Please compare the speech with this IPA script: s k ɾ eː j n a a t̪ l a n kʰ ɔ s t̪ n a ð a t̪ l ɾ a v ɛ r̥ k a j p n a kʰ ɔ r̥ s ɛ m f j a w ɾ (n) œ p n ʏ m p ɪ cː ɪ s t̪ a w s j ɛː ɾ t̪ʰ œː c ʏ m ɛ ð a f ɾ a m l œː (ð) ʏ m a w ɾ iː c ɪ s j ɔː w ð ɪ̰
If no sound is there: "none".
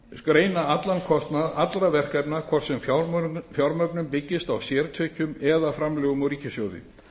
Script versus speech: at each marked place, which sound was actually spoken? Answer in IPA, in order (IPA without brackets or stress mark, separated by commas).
m, ɣ